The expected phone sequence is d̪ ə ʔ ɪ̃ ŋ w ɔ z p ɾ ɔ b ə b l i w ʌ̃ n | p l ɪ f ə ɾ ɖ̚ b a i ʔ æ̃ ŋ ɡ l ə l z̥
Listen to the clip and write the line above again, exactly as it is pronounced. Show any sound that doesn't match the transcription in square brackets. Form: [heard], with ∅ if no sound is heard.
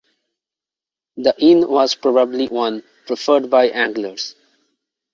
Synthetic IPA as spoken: d̪ ə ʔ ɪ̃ [n] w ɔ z p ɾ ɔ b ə b l i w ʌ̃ n | p [ɾ] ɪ f ə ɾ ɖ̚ b a [ɪ] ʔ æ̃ ŋ ɡ l ə [ɾ] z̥

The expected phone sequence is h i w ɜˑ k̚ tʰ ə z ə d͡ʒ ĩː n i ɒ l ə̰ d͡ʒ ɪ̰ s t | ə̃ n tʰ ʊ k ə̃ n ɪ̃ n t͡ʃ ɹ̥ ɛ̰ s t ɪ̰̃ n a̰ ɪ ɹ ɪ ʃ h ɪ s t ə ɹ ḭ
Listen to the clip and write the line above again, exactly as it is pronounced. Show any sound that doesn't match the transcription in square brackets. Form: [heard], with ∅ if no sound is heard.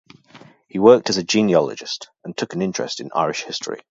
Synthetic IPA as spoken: h i w ɜˑ k̚ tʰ ə z ə d͡ʒ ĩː n i ɒ l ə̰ d͡ʒ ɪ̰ s t | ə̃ n tʰ ʊ k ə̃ n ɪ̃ n t͡ʃ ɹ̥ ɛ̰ s t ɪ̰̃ n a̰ ɪ ɹ ɪ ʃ h ɪ s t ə ɹ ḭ

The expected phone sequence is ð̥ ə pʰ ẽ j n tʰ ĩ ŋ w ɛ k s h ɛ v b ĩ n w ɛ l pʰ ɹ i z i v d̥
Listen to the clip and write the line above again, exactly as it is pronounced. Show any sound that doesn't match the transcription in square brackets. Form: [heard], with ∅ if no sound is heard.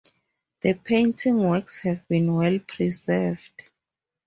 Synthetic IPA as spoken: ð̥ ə pʰ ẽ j n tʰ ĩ ŋ w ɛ k s h ɛ v b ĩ n w ɛ l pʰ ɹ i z [ɛ] v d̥

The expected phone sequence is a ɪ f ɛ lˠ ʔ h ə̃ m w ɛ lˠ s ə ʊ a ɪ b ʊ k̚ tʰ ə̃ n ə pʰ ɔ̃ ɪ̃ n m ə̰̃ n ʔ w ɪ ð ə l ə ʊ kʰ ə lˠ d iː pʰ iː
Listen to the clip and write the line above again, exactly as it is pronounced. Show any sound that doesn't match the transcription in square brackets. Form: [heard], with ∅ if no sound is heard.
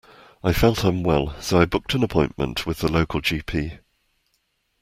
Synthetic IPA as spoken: a ɪ f ɛ lˠ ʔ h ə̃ m w ɛ lˠ s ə ʊ a ɪ b ʊ k̚ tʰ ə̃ n ə pʰ ɔ̃ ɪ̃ n m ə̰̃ n ʔ w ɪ ð ə l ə ʊ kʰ ə lˠ [d͡ʒ] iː pʰ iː

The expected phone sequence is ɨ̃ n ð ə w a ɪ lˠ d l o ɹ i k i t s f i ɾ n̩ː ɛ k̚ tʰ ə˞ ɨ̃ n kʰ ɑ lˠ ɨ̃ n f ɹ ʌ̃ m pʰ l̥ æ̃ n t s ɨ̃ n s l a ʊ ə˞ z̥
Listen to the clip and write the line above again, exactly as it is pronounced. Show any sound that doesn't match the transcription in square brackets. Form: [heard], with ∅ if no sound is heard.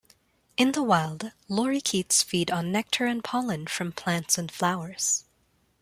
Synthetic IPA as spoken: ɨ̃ n ð ə w a ɪ lˠ d l [ɔ] ɹ i [kʰ] i t s f i ɾ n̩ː ɛ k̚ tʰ ə˞ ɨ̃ n [pʰ] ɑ lˠ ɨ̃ n f ɹ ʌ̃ m pʰ l̥ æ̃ n t s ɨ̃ n [f] l a ʊ ə˞ z̥

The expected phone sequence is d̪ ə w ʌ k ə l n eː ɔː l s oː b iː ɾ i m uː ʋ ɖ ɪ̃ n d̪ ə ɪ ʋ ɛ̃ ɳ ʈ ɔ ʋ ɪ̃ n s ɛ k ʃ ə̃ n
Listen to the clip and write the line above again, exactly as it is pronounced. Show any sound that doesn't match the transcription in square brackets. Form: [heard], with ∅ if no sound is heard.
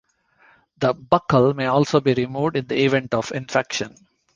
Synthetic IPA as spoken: d̪ ə [b] ʌ k ə l [m] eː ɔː l s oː b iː ɾ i m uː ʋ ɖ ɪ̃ n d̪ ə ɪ ʋ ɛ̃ ɳ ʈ ɔ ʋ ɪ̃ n [f] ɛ k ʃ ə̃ n

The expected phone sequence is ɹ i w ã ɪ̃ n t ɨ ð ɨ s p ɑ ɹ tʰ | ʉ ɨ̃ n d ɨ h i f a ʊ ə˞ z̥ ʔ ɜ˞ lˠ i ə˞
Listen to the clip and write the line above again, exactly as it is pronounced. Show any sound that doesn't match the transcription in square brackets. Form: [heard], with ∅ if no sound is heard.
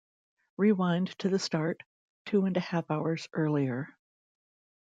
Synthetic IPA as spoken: ɹ i w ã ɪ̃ n [tʰ] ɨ ð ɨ s [t] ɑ ɹ tʰ | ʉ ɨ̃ n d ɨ h [æ] f a ʊ ə˞ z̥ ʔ ɜ˞ lˠ i ə˞

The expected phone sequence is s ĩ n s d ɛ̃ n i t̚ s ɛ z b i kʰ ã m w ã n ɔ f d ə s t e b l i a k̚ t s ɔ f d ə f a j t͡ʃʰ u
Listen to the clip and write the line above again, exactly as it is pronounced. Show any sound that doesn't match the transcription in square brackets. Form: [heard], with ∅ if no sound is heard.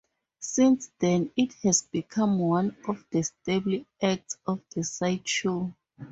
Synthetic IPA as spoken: s ĩ n s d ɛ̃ n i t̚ [h] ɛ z b i kʰ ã m w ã n ɔ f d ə s t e b l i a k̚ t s ɔ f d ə [s] a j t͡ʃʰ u

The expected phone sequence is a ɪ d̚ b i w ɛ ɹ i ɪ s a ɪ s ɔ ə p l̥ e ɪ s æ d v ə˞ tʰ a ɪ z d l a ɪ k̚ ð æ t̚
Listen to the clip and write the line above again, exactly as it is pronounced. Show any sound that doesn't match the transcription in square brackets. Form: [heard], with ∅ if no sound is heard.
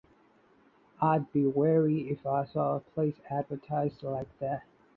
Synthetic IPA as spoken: a ɪ d̚ b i w ɛ ɹ i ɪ [f] a ɪ s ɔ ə [pʰ] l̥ e ɪ s æ d v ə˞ tʰ a ɪ z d l a ɪ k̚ ð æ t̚

